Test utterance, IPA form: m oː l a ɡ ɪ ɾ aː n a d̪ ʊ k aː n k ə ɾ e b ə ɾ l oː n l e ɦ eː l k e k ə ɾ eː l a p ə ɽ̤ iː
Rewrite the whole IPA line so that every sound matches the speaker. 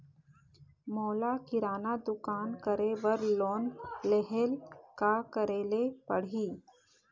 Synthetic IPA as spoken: m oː l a k ɪ ɾ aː n a d̪ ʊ k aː n k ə ɾ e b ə ɾ l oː n l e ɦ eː l k a k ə ɾ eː l e p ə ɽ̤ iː